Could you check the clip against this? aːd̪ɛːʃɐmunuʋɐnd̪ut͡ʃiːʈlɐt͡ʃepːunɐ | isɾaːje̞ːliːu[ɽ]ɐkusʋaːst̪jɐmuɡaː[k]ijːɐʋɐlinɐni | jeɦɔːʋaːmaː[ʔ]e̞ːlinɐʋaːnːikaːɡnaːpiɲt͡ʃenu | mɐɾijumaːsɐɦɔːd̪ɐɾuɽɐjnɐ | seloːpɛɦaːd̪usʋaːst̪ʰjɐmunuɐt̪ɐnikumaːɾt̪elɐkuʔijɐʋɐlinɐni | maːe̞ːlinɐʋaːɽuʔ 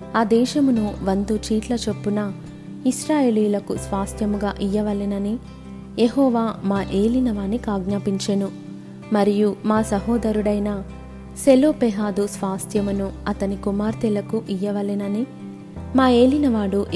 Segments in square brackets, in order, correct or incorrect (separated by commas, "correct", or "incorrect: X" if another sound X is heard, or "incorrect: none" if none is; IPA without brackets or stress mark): incorrect: l, incorrect: ʔ, correct